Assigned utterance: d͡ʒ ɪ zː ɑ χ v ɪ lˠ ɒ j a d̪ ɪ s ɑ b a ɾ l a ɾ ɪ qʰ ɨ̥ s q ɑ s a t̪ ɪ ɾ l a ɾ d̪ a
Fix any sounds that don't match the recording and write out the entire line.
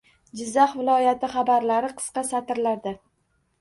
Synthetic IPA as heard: d͡ʒ ɪ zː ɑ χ v ɪ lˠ ɒ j a t̪ ɪ χ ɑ b a ɾ l a ɾ ɪ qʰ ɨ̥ s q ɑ s a t̪ ɪ ɾ l a ɾ d̪ a